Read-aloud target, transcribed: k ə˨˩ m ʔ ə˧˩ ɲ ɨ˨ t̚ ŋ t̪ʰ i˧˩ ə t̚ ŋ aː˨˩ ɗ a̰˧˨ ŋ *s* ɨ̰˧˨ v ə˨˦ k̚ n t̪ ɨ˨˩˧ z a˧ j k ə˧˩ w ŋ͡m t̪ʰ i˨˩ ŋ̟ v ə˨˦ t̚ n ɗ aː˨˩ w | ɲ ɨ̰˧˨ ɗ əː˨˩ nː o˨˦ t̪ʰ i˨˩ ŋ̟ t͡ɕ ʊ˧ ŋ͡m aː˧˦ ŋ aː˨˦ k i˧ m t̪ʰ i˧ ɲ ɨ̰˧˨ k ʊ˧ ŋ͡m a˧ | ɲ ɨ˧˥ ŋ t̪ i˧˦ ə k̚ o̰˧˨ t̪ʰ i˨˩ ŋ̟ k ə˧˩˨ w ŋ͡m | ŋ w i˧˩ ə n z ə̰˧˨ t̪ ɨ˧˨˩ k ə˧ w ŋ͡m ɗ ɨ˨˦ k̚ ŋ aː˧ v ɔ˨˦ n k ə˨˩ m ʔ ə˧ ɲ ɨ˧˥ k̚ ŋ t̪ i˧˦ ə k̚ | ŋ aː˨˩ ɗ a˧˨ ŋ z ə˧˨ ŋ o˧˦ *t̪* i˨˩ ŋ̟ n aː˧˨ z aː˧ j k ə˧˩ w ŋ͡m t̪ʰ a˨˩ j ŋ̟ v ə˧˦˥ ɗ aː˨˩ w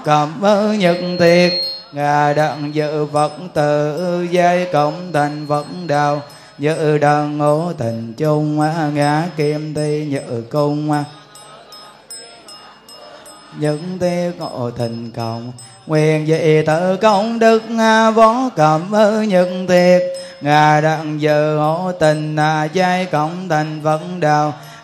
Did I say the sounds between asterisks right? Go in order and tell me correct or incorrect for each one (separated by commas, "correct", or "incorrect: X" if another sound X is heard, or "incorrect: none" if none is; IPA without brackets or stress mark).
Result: incorrect: z, correct